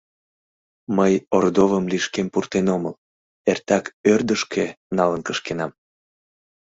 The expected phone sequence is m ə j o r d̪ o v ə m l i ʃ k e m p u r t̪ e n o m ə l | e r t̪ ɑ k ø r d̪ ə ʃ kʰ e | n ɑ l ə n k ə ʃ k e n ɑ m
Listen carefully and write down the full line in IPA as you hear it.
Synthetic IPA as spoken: m ə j o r d̪ o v ə m l i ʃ k e m p u r t̪ e n o m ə l | e r t̪ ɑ k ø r d̪ ə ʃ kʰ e | n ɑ l ə n k ə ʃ k e n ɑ m